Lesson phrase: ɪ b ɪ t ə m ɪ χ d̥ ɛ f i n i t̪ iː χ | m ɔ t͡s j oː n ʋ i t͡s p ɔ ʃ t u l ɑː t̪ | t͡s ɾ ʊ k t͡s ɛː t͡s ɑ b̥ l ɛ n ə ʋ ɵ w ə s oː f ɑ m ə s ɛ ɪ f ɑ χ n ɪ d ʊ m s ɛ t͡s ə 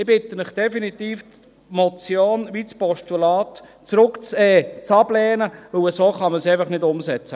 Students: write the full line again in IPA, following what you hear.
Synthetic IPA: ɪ b ɪ t ə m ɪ χ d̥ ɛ f i n i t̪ iː f | m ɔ t͡s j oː n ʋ i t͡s p ɔ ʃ t u l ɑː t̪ | t͡s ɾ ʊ k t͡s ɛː t͡s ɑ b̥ l ɛː n ə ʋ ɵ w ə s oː χ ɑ m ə s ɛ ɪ f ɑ χ n ɪ d ʊ m s ɛ t͡s ə